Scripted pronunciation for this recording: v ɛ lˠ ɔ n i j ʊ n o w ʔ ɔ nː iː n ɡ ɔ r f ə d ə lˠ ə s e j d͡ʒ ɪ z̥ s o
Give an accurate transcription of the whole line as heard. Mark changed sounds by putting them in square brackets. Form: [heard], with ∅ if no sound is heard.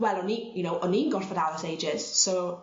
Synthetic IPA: [w] ɛ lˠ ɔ n i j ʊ n o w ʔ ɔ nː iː n ɡ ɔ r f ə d [a] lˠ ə s e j d͡ʒ ɪ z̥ s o